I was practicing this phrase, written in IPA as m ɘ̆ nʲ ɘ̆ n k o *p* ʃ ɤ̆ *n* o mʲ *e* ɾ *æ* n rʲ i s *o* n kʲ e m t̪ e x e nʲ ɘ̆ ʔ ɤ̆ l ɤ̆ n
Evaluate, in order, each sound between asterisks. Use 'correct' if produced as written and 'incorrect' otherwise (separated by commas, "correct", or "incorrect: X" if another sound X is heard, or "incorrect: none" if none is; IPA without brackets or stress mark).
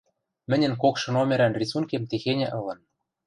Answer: incorrect: k, correct, correct, correct, incorrect: u